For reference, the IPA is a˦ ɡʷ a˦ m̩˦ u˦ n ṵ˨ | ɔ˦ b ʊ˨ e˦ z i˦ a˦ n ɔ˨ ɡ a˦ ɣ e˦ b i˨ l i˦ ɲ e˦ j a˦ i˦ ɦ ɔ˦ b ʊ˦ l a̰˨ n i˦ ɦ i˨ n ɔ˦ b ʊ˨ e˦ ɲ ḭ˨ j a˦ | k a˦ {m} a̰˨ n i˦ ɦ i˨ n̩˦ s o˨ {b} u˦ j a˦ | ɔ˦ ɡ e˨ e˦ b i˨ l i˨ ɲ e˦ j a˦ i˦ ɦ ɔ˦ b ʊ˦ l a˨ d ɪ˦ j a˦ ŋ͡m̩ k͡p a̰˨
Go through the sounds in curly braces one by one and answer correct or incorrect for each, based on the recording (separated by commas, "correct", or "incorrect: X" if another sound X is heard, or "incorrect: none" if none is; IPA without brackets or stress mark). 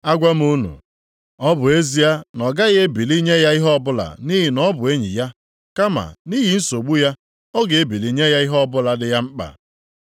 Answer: correct, incorrect: ɡ͡b